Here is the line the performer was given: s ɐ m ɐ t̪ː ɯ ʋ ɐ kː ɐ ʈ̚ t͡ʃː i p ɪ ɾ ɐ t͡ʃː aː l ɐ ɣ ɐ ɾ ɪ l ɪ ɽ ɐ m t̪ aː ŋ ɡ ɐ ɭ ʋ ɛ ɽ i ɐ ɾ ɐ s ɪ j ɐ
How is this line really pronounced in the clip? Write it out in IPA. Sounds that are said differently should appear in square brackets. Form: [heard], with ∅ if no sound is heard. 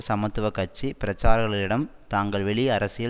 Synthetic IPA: s ɐ m ɐ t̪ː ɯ ʋ ɐ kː ɐ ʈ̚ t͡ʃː i p ɪ ɾ ɐ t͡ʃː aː [ɾ] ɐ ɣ ɐ [ɭ] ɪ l ɪ ɽ ɐ m t̪ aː ŋ ɡ ɐ ɭ ʋ ɛ [ɭ] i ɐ ɾ ɐ s ɪ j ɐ